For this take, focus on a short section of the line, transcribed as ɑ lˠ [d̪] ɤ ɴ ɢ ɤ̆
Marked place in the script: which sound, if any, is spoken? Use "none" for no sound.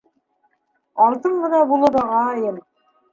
t̪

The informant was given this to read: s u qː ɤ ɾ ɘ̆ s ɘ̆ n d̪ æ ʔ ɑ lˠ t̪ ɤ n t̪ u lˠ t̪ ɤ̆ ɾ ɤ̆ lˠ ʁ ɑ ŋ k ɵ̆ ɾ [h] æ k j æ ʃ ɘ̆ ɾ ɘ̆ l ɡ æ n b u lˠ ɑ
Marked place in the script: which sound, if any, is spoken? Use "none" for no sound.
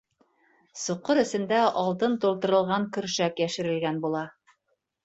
ʃ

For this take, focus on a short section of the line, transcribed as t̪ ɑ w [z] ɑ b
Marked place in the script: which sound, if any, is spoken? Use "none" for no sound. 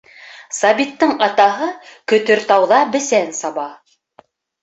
ð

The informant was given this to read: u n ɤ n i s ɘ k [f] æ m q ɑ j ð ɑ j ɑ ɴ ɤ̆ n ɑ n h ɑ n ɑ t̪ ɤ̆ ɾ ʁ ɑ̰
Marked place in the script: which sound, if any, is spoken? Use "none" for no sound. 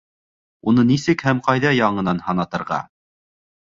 h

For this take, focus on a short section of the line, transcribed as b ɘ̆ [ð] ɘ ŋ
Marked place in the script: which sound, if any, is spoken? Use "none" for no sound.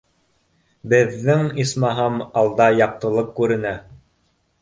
ðː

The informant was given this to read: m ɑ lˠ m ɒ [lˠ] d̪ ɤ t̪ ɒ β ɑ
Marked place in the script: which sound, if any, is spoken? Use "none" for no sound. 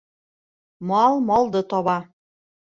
lˠ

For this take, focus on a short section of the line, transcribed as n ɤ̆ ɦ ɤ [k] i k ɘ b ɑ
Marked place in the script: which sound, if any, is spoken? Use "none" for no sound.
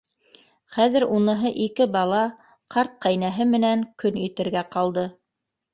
ʔ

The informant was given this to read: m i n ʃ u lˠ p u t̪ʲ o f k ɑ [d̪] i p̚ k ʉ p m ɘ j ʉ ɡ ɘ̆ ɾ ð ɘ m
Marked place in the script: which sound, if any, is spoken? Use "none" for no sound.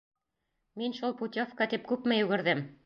t̪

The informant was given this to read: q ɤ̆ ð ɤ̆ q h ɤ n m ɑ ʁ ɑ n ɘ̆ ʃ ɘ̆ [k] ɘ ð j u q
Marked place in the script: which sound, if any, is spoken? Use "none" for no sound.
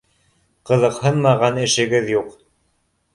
ɡ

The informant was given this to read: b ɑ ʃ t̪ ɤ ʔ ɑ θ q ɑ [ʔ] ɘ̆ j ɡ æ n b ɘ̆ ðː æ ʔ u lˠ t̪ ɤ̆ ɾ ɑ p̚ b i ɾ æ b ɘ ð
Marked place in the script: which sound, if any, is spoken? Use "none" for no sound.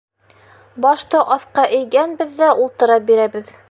ʔ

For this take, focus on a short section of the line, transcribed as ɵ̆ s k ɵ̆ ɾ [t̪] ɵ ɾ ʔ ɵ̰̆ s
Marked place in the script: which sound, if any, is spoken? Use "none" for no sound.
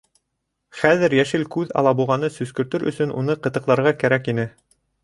t̪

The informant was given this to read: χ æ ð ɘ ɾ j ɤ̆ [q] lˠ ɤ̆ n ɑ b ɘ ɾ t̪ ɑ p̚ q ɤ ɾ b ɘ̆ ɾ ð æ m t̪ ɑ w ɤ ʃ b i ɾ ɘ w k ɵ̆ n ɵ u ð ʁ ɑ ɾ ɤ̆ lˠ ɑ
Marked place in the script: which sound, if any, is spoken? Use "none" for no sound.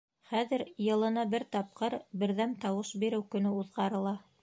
none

